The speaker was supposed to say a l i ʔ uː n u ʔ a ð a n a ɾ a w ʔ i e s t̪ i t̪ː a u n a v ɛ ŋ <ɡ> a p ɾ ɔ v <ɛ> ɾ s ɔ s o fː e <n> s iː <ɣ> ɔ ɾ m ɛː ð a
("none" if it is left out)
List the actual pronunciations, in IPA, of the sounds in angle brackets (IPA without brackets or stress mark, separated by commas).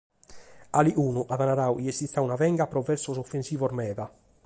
ɡ, ɛ, n, v